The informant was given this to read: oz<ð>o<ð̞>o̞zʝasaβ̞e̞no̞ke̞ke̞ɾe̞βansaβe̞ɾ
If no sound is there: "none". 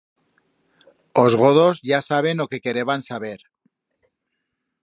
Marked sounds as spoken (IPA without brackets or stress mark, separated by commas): ɣ, ð̞